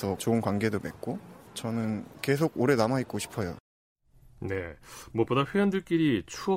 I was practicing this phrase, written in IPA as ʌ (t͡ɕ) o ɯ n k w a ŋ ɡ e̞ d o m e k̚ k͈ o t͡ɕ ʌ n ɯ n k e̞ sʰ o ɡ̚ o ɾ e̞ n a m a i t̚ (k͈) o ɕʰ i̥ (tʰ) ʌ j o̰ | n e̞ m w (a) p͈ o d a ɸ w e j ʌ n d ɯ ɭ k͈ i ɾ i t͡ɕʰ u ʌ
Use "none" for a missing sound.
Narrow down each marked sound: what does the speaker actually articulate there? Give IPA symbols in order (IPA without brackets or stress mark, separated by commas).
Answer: t͡ɕ, k͈, pʰ, ʌ